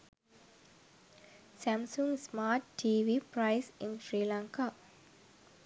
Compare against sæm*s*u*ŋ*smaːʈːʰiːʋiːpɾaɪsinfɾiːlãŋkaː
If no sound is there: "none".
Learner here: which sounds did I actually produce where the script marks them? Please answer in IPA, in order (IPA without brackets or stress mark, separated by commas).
s, ŋ